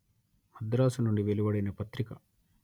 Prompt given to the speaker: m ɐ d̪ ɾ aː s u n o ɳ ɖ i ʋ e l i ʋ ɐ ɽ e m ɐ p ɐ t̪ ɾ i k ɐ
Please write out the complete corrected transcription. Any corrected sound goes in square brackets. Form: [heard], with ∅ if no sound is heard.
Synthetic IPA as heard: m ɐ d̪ ɾ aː s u n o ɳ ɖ i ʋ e l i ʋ ɐ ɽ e [n] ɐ p ɐ t̪ ɾ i k ɐ